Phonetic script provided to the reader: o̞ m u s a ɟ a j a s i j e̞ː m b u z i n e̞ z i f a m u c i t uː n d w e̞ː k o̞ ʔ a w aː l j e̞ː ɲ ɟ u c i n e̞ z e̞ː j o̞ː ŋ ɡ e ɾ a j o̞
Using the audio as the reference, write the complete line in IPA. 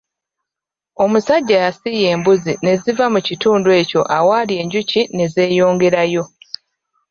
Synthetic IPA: o̞ m u s a ɟː a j a s i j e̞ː m b u z i n e̞ z i v a m u c i t uː n d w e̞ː c o̞ ʔ a w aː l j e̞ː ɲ ɟ u c i n e̞ z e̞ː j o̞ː ŋ ɡ e ɾ a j o̞